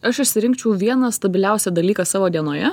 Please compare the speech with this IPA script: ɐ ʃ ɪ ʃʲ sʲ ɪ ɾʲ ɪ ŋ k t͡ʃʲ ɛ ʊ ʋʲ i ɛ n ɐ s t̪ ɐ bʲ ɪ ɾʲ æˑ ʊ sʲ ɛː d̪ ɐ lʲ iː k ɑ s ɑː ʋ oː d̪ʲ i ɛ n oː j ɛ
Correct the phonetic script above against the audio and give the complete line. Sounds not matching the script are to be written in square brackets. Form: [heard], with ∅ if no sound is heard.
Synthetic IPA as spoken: ɐ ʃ ɪ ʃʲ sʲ ɪ ɾʲ ɪ ŋ k t͡ʃʲ ɛ ʊ ʋʲ i ɛ n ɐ s t̪ ɐ bʲ ɪ [lʲ] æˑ ʊ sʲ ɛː d̪ ɐ lʲ iː k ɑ s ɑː ʋ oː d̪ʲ i ɛ n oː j ɛ